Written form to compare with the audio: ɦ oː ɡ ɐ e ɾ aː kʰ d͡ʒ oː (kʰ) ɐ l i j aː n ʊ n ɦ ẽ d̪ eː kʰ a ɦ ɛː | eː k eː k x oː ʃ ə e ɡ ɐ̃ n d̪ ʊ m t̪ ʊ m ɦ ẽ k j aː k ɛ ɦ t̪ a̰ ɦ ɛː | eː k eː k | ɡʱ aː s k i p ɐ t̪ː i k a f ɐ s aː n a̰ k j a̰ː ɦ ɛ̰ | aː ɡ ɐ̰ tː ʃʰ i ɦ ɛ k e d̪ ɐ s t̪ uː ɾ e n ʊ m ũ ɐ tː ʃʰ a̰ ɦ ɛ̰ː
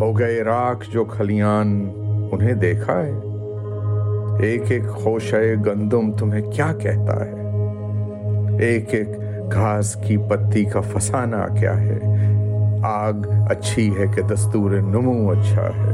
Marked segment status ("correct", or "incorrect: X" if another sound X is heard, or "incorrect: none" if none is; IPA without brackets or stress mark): correct